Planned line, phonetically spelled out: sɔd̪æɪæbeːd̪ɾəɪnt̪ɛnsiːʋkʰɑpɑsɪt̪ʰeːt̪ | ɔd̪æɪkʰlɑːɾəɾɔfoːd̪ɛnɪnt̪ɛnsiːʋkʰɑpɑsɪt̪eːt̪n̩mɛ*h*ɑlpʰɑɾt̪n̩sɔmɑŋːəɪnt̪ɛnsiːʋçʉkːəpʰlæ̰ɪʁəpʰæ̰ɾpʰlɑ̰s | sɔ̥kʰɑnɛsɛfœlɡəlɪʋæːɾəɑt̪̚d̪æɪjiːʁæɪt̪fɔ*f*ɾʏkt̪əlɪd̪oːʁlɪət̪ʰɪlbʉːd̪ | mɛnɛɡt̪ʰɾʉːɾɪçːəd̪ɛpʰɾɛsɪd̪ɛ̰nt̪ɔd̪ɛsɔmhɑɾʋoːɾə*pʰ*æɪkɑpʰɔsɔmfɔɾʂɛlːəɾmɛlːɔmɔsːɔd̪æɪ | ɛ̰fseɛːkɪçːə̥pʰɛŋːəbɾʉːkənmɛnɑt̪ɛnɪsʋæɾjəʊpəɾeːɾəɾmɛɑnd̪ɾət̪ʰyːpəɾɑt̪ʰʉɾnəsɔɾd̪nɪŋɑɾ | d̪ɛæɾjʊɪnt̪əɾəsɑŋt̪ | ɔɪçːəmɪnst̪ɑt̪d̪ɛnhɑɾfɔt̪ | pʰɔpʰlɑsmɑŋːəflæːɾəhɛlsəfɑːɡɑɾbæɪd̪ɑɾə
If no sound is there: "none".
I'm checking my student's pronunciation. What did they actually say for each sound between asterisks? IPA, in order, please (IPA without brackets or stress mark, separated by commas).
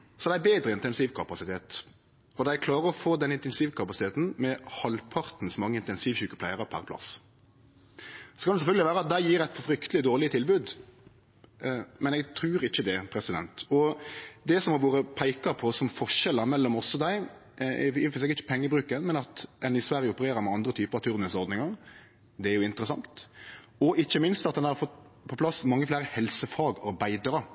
h, f, pʰ